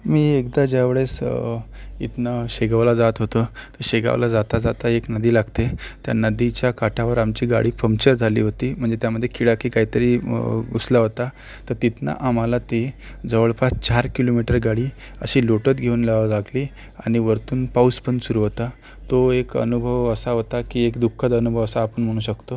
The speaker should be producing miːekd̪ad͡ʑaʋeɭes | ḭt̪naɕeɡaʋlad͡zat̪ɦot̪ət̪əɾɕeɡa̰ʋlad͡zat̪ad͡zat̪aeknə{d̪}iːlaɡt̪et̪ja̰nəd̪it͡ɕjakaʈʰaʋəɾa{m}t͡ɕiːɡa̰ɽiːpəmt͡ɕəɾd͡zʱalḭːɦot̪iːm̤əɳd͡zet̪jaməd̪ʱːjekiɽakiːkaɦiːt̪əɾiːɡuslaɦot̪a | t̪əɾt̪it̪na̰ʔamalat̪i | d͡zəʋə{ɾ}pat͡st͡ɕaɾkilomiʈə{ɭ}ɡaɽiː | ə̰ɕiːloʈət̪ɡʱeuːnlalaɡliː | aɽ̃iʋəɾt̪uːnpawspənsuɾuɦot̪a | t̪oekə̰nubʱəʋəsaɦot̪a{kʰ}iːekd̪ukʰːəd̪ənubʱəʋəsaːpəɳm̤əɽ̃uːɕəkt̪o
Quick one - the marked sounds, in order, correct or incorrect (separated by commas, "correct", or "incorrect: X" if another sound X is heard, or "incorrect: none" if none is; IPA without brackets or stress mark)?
correct, correct, incorrect: ɭ, incorrect: ɾ, incorrect: k